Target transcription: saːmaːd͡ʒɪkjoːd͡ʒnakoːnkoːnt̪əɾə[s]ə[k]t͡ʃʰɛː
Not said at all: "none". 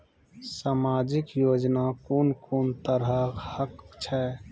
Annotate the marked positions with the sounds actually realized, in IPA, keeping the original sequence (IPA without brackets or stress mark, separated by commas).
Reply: h, k